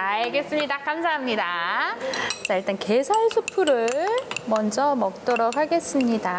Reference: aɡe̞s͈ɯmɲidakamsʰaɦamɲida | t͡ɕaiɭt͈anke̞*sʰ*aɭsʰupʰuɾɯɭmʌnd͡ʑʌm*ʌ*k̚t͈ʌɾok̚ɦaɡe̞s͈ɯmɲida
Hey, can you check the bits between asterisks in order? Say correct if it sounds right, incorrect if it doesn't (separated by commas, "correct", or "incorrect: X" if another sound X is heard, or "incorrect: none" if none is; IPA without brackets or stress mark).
correct, correct